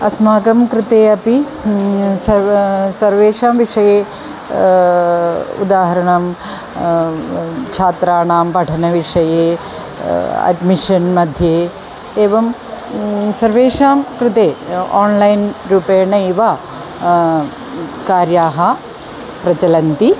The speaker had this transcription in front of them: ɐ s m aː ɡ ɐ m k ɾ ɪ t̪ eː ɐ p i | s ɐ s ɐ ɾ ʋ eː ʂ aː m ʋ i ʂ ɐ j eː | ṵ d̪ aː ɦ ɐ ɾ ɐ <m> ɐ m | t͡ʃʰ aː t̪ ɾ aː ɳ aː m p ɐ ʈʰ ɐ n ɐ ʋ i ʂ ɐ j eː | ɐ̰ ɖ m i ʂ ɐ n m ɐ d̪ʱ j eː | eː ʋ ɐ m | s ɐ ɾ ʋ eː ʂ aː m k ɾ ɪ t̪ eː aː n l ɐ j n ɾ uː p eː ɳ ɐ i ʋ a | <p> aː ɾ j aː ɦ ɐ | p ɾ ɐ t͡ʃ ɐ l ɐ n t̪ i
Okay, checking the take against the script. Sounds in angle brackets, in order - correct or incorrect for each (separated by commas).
incorrect, incorrect